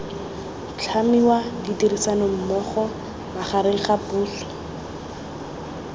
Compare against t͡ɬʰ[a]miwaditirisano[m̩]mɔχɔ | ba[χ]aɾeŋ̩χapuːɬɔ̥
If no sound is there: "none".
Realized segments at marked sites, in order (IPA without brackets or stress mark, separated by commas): a, m̩, χ